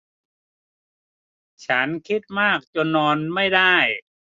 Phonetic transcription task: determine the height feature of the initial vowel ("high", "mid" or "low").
low